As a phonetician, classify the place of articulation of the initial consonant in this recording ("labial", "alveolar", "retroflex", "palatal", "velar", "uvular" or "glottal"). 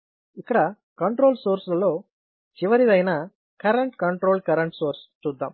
velar